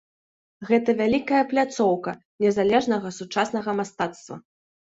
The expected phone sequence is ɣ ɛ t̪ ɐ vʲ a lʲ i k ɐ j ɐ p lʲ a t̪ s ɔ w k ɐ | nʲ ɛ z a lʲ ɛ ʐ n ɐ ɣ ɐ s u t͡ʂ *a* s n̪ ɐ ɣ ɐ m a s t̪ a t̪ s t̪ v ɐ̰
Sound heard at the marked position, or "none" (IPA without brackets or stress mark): a